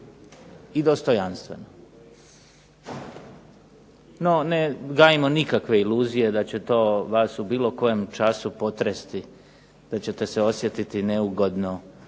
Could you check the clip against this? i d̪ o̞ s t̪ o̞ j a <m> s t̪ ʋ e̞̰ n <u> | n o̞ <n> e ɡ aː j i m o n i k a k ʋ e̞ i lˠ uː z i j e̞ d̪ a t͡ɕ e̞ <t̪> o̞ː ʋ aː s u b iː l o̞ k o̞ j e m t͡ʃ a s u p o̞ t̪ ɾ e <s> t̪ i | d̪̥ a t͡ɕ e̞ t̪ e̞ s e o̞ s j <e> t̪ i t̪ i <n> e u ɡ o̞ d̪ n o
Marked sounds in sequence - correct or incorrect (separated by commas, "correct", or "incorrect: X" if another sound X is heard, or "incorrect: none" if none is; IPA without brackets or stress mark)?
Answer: incorrect: n, incorrect: o, correct, correct, correct, correct, correct